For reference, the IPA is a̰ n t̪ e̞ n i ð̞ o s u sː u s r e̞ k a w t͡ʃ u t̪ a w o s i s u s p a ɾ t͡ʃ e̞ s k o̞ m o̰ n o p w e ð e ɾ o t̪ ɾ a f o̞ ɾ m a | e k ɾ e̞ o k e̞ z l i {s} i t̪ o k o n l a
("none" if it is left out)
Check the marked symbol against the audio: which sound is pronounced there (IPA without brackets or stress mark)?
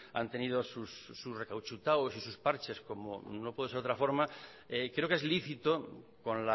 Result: θ